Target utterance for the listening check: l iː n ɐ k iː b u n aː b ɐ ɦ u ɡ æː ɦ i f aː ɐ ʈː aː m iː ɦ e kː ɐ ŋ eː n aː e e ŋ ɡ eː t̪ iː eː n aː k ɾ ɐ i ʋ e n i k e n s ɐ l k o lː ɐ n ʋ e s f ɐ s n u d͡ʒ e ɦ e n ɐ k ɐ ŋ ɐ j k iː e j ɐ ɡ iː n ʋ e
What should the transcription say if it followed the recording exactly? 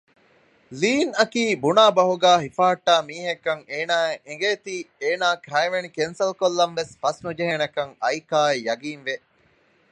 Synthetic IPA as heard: l iː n ɐ k iː b u n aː b ɐ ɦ u ɡ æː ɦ i f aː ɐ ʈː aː m iː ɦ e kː ɐ ŋ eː n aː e e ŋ ɡ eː t̪ iː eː n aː k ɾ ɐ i ʋ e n i k e n s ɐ l k o lː ɐ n ʋ e s f ɐ s n u d͡ʒ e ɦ e n ɐ k ɐ ŋ ɐ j k aː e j ɐ ɡ iː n ʋ e